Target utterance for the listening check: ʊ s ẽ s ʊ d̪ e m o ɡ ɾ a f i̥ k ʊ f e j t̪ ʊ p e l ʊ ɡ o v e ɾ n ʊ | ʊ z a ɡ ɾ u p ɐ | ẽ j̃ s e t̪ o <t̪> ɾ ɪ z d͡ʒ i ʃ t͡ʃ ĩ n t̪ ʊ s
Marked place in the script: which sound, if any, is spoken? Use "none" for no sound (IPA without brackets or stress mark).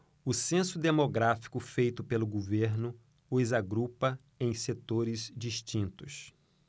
none